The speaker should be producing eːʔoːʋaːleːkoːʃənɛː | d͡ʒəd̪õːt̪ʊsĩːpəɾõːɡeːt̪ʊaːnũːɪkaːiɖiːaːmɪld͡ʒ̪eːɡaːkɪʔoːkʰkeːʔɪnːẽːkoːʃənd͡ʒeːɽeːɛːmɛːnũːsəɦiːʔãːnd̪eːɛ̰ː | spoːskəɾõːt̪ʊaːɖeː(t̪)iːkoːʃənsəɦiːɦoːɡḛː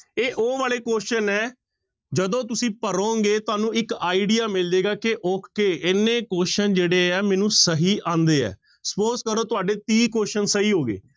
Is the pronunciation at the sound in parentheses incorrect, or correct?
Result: correct